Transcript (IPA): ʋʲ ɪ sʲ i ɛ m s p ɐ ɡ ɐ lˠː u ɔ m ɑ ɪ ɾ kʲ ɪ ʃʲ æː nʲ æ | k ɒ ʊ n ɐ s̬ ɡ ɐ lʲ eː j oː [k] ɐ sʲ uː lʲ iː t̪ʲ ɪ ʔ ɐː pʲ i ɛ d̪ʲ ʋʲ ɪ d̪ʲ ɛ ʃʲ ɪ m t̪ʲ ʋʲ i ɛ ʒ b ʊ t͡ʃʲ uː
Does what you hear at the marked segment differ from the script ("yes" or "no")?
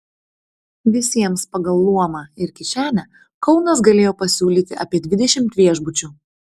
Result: yes